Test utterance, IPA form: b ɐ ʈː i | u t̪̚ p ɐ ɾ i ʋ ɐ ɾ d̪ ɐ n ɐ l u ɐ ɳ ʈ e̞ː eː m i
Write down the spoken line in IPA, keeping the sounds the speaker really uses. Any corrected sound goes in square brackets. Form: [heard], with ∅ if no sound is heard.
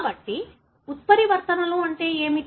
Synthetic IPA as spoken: b ɐ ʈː i | u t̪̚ p ɐ ɾ i ʋ ɐ ɾ [t̪] ɐ n ɐ l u ɐ ɳ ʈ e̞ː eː m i